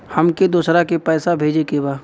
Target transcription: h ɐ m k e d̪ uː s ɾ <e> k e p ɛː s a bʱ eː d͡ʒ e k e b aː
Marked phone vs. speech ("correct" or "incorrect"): incorrect